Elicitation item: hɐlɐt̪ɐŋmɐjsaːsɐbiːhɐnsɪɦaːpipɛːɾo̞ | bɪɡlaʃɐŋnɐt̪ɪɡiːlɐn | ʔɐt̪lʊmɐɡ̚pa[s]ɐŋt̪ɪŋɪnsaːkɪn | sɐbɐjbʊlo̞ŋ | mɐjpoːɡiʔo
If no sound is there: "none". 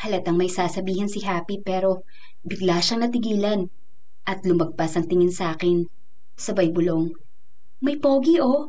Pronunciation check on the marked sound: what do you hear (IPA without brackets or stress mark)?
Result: s